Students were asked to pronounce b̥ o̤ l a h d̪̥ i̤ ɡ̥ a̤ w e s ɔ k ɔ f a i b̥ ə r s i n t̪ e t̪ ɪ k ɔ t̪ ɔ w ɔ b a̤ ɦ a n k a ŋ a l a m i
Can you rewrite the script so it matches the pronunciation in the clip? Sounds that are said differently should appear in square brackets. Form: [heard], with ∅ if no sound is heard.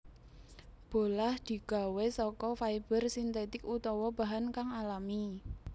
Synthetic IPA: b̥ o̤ l a h d̪̥ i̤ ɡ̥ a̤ w e s ɔ k ɔ f a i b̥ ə r s i n t̪ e t̪ ɪ k [u] t̪ ɔ w ɔ b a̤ ɦ a n k a ŋ a l a m i